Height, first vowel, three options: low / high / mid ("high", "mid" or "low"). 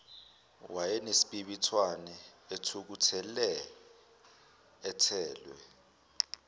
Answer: low